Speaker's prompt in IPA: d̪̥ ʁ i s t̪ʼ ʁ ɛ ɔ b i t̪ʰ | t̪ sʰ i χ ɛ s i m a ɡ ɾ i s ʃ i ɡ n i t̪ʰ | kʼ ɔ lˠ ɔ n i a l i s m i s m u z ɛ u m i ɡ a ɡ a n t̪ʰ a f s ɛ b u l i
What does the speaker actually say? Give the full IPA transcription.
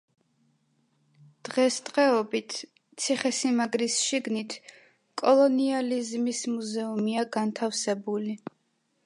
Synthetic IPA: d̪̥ ʁ ɛ s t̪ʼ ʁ ɛ ɔ b i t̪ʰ | t̪ sʰ i χ ɛ s i m a ɡ ɾ i s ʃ i ɡ n i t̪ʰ | kʼ ɔ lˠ ɔ n i a l i z m i s m u z ɛ u m i a ɡ a n t̪ʰ a f s ɛ b u l i